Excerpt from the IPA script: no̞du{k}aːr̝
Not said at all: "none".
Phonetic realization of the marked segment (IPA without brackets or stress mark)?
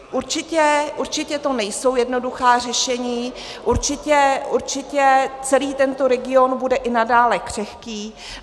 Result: x